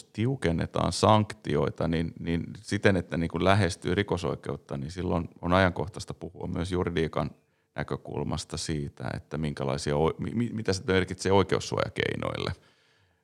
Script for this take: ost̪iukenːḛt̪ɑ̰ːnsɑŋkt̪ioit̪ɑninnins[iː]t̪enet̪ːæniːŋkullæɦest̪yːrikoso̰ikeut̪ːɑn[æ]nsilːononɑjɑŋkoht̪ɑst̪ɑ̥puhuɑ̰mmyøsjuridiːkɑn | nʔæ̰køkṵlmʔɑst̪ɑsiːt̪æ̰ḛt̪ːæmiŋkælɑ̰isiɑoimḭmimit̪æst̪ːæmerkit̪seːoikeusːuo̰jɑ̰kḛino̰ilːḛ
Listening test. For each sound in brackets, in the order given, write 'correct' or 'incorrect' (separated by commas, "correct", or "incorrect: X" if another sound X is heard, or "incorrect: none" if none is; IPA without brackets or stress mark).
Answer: incorrect: i, incorrect: i